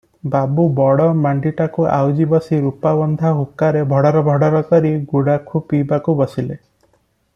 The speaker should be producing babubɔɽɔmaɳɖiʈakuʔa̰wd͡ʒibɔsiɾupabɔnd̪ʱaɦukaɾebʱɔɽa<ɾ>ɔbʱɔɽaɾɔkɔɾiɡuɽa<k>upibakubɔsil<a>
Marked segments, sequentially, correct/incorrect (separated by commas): correct, incorrect, incorrect